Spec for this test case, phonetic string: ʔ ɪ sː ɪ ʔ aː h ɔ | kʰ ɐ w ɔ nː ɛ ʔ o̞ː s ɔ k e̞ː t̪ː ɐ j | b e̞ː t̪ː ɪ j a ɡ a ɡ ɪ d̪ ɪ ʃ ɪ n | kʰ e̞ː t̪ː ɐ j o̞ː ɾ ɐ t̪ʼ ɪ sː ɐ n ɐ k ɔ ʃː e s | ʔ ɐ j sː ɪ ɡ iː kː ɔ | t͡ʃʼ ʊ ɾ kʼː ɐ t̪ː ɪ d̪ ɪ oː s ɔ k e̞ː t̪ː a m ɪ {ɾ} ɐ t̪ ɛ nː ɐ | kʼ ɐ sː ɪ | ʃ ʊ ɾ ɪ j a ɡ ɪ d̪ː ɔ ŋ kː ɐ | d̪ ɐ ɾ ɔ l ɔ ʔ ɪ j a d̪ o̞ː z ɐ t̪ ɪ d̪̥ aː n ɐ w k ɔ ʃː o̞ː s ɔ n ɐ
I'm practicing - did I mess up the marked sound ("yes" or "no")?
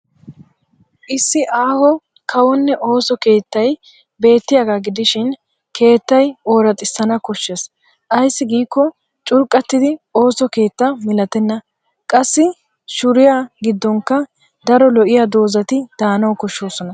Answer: yes